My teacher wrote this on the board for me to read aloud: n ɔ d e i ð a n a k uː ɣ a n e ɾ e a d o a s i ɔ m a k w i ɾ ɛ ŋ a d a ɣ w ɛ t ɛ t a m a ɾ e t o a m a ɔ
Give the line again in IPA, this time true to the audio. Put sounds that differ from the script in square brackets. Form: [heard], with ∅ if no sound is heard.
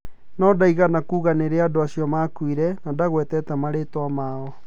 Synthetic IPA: n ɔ d [a] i [ɣ] a n a k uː ɣ a n e ɾ e a d o a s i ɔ m a k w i ɾ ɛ [n] a d a ɣ w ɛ t ɛ t a m a ɾ e t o a m a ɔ

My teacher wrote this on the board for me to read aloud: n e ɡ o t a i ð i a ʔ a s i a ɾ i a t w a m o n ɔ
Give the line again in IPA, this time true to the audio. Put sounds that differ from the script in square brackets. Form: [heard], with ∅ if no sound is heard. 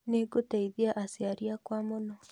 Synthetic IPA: n e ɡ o t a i ð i a ʔ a s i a ɾ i a [k] w a m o n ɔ

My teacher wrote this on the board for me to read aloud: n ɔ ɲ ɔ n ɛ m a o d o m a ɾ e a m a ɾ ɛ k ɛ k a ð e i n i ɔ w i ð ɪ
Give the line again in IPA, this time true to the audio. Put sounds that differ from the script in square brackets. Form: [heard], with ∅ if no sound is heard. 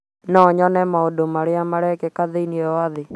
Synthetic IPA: n ɔ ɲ ɔ n ɛ m a o d o m a ɾ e a m a ɾ ɛ k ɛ k a ð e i n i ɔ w [a] ð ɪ

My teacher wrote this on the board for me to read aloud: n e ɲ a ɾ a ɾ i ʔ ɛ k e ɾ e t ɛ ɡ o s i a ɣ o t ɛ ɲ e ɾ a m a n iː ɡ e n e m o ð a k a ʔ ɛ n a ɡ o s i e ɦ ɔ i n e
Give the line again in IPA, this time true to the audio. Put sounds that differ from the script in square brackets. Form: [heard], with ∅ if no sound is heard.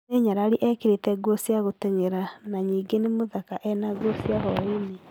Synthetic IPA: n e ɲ a ɾ a ɾ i ʔ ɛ k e ɾ e t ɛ ɡ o s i a ɣ o t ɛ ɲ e ɾ a [n] a [ɲ] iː ɡ e n e m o ð a k a ʔ ɛ n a ɡ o s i [a] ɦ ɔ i n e

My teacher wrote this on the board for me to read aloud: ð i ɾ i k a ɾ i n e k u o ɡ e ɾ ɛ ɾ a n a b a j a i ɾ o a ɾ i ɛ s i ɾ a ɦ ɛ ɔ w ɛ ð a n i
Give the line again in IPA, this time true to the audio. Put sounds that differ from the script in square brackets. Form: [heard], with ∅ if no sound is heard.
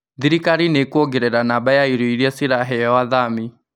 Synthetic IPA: ð i ɾ i k a ɾ i n e k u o ɡ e ɾ ɛ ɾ a n a b a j a i ɾ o [i] ɾ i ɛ s i ɾ a ɦ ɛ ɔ w [a] ð a [m] i

